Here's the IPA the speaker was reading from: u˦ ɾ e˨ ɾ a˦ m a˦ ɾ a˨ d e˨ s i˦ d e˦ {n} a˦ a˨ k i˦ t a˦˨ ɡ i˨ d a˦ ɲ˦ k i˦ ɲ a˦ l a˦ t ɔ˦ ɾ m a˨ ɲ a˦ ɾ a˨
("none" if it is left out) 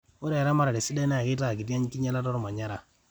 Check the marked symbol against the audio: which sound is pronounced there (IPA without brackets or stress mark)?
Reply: n